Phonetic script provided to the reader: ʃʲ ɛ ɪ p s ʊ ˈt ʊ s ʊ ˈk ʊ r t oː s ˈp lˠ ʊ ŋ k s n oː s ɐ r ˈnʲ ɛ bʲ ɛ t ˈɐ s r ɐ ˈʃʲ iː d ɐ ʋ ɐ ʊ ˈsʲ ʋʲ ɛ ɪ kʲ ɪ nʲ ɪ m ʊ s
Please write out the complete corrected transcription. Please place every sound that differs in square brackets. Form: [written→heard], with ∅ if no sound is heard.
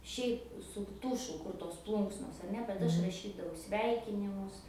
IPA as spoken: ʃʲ ɛ ɪ p s ʊ ˈt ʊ [s→ʃ] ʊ ˈk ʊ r t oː s ˈp lˠ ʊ ŋ k s n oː s ɐ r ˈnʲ ɛ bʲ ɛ t ˈɐ [s→ʃ] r ɐ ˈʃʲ iː d ɐ ʋ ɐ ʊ ˈsʲ ʋʲ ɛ ɪ kʲ ɪ nʲ ɪ m ʊ s